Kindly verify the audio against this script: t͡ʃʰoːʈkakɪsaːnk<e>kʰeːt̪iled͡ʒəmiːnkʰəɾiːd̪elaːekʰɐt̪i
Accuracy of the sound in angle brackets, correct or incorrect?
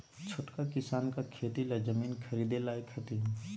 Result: incorrect: a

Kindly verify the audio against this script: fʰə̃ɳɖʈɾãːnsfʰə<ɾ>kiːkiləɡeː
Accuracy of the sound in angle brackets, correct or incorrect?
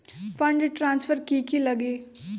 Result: correct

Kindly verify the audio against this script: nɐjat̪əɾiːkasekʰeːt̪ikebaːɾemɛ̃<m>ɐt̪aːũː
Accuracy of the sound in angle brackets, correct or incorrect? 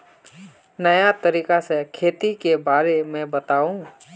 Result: incorrect: b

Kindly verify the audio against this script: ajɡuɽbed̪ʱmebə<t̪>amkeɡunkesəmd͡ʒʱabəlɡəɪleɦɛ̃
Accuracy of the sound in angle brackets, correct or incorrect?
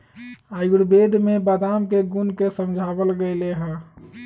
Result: incorrect: d̪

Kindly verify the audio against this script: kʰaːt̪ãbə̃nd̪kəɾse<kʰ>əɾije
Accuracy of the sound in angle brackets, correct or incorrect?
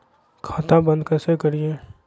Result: incorrect: k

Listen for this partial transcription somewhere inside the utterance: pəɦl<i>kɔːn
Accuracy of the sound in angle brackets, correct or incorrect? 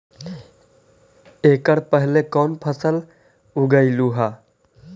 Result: incorrect: e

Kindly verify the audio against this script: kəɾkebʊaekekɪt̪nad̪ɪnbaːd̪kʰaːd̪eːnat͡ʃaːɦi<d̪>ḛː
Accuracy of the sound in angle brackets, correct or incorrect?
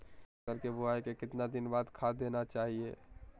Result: incorrect: none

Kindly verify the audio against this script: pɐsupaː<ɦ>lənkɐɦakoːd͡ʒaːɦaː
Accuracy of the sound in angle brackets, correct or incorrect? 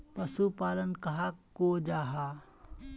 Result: incorrect: none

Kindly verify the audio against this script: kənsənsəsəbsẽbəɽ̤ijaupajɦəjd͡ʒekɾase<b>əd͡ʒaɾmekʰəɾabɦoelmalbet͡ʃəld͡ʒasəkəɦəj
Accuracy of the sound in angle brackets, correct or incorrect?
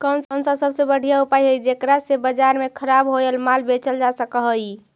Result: correct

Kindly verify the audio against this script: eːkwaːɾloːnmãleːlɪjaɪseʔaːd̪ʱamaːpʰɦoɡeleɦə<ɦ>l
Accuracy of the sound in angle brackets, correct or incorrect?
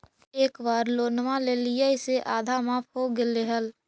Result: incorrect: none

